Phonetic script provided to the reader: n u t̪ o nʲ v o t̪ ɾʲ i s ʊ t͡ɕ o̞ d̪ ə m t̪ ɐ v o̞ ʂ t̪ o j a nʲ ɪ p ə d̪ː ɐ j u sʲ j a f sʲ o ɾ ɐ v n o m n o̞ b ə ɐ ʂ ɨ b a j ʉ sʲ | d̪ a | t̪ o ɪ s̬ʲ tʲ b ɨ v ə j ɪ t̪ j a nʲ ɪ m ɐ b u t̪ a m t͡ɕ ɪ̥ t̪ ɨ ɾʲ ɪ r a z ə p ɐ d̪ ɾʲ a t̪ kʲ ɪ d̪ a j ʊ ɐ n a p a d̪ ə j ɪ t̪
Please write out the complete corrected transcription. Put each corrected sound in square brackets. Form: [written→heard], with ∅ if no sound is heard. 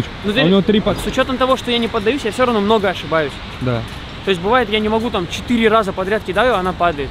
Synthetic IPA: n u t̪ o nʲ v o t̪ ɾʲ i s ʊ t͡ɕ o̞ [d̪→t̪] ə m t̪ ɐ v o̞ ʂ t̪ o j a nʲ ɪ p ə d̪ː ɐ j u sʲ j a f sʲ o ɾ ɐ v n o m n o̞ [b→ɡ] ə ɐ ʂ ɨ b a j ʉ sʲ | d̪ a | t̪ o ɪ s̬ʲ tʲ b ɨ v [ə→a] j ɪ t̪ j a nʲ ɪ m ɐ [b→ɡ] u t̪ a m t͡ɕ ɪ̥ t̪ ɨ ɾʲ ɪ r a z ə p ɐ d̪ ɾʲ a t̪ kʲ ɪ d̪ a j ʊ ɐ n a p a d̪ ə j ɪ t̪